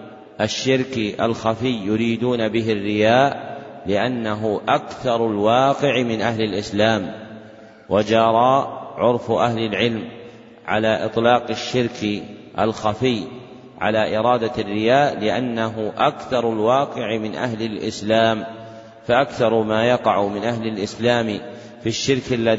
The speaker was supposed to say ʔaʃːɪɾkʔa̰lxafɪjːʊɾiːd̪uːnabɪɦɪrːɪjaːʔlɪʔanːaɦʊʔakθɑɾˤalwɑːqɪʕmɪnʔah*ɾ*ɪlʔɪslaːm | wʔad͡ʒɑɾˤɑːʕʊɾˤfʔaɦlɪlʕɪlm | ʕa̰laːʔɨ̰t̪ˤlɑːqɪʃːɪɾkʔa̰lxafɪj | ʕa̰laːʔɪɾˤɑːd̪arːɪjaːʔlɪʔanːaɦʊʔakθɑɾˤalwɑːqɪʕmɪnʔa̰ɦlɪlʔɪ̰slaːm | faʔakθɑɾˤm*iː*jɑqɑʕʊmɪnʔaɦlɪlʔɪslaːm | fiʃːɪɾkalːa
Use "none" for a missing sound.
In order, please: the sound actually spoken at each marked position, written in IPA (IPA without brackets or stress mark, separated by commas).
l, aː